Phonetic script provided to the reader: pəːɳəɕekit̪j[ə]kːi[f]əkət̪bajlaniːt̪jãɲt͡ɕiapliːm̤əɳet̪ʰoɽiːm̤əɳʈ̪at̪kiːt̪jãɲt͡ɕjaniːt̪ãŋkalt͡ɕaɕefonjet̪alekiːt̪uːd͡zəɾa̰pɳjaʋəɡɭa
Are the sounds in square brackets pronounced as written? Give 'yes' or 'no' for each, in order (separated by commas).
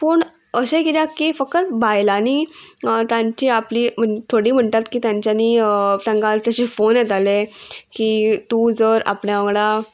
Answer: no, yes